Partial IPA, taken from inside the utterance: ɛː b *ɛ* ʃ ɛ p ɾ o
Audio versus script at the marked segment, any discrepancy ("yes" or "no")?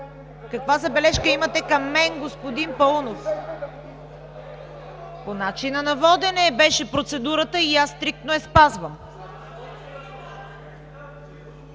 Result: no